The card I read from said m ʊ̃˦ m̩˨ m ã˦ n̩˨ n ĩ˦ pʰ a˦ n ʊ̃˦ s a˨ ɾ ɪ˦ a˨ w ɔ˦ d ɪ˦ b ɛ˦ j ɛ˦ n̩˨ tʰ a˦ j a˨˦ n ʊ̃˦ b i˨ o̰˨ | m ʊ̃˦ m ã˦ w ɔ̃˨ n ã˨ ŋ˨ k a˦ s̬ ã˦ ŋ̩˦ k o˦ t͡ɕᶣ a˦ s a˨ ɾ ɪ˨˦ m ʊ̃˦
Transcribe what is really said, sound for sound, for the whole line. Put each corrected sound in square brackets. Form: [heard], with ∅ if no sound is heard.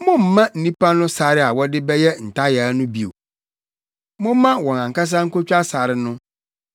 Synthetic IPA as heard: m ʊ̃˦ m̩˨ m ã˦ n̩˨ n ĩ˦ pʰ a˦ n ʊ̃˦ s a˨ ɾ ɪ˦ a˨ w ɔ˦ d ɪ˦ b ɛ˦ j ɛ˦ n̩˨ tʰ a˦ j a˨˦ n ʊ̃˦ b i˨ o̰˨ | m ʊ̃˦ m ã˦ w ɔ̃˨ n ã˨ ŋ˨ k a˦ s̬ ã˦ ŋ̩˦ k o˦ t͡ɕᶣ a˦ s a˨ ɾ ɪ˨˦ [n] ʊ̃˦